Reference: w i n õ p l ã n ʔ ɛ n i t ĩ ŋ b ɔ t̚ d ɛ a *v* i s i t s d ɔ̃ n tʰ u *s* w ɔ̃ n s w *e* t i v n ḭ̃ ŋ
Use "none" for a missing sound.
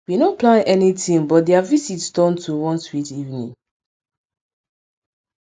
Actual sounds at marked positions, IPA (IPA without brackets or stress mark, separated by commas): v, none, i